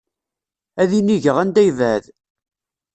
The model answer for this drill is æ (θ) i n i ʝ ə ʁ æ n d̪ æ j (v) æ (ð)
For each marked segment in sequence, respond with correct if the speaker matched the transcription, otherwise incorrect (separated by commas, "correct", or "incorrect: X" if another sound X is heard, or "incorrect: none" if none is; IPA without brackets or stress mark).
incorrect: ð, correct, correct